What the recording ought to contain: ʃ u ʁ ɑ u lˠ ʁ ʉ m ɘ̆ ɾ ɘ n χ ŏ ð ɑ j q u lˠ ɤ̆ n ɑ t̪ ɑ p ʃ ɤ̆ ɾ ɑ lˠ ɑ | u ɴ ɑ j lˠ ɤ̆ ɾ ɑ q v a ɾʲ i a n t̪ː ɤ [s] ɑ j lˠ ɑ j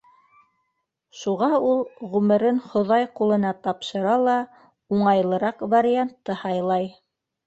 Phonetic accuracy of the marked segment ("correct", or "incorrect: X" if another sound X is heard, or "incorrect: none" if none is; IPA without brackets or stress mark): incorrect: h